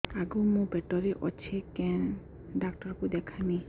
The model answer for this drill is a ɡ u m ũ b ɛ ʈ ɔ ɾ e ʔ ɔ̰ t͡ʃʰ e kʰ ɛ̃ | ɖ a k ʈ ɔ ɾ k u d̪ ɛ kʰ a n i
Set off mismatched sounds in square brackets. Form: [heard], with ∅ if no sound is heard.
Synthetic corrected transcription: a ɡ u m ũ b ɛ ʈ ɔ ɾ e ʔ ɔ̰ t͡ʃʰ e [k] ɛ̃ | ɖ a k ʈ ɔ ɾ k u d̪ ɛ kʰ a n i